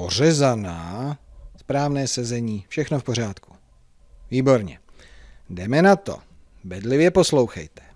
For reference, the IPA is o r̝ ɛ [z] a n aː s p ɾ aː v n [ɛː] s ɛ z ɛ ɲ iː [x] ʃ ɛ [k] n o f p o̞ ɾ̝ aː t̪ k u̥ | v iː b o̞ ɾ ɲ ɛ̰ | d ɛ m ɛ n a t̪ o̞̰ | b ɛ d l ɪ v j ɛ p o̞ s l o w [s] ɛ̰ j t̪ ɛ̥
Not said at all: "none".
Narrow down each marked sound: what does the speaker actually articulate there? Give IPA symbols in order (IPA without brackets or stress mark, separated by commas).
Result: z, ɛː, f, x, x